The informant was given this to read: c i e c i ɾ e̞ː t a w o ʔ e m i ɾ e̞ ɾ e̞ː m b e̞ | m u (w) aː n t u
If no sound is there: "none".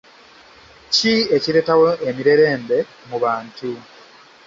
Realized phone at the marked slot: β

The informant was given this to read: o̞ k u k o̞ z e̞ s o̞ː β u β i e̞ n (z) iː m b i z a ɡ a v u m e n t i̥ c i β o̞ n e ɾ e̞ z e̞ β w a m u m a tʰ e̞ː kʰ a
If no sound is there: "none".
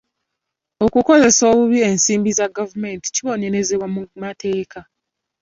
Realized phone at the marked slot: s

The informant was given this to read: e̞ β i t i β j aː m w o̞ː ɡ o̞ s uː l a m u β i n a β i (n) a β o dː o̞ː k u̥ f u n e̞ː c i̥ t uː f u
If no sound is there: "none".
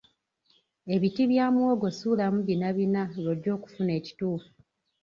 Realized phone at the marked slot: n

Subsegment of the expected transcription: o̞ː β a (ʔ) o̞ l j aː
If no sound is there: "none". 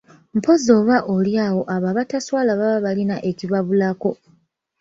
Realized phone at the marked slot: ʔ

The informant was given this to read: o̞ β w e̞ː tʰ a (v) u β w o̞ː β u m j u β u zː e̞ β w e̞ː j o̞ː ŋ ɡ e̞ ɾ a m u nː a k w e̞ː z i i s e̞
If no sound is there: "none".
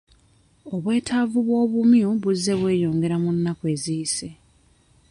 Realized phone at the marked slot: v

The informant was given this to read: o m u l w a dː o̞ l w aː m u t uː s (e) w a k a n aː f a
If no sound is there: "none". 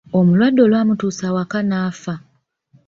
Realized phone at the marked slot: a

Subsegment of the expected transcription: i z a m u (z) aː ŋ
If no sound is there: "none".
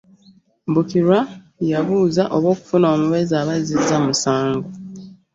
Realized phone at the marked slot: s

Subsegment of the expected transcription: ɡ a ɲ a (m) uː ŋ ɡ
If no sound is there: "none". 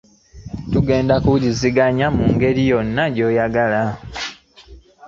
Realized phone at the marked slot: m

